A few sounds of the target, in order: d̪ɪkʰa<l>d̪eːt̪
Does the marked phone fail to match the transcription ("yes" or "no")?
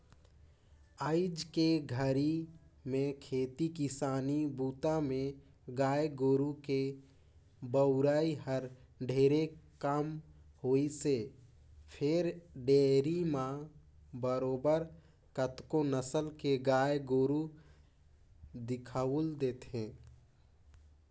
no